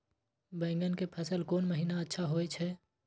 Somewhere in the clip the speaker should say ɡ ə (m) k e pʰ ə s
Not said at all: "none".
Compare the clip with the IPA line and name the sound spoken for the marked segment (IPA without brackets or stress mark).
n